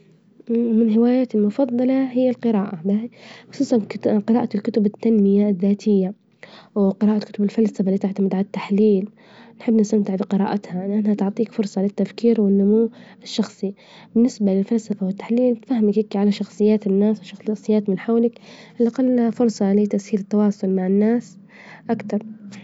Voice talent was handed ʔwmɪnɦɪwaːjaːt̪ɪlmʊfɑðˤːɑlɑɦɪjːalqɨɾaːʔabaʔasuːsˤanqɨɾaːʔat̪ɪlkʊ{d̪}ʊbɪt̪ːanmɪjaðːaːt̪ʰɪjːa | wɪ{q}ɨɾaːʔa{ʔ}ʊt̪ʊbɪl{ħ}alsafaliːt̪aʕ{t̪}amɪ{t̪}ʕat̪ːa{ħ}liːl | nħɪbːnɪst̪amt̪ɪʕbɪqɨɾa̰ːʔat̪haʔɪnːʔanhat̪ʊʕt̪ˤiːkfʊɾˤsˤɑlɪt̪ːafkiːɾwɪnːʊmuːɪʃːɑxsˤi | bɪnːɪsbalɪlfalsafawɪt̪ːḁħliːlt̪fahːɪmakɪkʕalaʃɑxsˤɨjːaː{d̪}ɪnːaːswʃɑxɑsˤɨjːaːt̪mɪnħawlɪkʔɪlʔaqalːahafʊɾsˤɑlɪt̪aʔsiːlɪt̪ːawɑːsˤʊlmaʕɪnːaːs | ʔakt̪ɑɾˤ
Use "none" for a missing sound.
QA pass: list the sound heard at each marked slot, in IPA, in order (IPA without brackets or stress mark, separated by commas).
t̪, q, k, f, t̪, d̪, ħ, t̪